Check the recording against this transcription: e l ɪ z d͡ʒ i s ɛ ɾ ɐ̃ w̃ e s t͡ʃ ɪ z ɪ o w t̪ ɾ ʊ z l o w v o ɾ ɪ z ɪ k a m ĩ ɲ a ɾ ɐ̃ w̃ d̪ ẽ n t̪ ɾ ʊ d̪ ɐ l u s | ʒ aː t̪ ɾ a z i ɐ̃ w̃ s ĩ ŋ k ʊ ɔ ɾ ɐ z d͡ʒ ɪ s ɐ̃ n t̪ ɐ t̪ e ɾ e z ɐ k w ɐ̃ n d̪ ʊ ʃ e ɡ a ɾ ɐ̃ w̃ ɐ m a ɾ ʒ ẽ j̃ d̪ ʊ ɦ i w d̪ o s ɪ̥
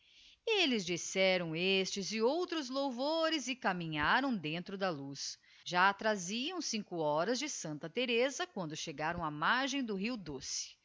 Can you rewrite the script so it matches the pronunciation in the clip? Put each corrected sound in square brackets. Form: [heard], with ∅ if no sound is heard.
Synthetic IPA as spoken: e l ɪ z d͡ʒ i s ɛ ɾ ɐ̃ w̃ e s t͡ʃ ɪ z ɪ o w t̪ ɾ ʊ z l o w v o ɾ ɪ z ɪ k a m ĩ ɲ a ɾ ɐ̃ w̃ d̪ ẽ n t̪ ɾ ʊ d̪ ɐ l u s | ʒ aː t̪ ɾ a z i ɐ̃ w̃ s ĩ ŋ k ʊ ɔ ɾ ɐ z d͡ʒ ɪ s ɐ̃ n t̪ ɐ t̪ e ɾ e z ɐ k w ɐ̃ n d̪ ʊ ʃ e ɡ a ɾ ɐ̃ w̃ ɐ m a ɾ ʒ ẽ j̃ d̪ ʊ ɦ i w d̪ o s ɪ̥